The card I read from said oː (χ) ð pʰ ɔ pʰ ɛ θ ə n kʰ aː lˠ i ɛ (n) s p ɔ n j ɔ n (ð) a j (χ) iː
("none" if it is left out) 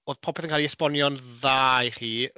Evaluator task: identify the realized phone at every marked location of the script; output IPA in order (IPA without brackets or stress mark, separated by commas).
none, none, ð, χ